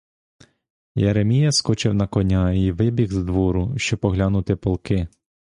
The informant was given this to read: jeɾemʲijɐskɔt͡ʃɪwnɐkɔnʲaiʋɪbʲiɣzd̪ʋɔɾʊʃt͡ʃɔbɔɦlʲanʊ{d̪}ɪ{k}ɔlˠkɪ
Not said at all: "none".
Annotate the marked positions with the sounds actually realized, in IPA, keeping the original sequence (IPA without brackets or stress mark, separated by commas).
t̪, p